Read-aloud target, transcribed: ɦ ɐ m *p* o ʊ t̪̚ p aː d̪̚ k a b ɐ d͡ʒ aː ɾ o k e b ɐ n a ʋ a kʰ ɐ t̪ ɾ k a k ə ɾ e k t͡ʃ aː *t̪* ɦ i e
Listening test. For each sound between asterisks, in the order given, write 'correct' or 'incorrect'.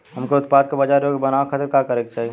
incorrect, incorrect

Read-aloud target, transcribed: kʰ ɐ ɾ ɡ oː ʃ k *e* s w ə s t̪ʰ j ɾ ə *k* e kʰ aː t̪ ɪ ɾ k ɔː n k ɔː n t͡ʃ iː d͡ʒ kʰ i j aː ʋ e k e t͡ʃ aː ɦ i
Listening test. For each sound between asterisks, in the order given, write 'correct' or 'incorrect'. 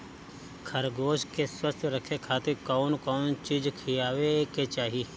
correct, incorrect

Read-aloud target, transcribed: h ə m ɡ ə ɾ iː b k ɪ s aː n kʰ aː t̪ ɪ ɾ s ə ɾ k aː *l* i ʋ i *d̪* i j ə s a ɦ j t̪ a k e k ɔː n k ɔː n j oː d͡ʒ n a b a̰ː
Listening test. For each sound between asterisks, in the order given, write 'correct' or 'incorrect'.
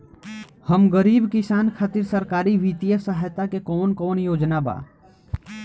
incorrect, incorrect

